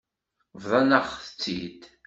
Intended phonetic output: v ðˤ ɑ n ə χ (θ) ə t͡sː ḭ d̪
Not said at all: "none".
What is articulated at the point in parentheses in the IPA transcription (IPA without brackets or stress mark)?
θ